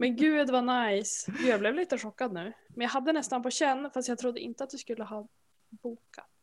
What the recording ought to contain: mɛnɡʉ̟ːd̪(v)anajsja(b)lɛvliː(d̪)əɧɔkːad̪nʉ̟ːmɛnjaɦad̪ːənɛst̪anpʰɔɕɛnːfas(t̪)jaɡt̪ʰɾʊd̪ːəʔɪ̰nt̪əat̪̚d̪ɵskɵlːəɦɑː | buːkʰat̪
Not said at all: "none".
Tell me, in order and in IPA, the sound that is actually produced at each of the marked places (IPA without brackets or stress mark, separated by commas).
v, b, t̪, t̪